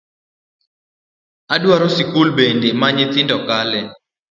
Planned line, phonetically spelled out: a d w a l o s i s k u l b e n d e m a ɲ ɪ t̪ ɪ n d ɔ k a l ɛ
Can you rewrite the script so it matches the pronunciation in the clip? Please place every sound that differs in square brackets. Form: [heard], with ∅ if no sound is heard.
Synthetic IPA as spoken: a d w a [ɾ] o s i [∅] k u l b e n d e m a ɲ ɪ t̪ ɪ n d ɔ k a l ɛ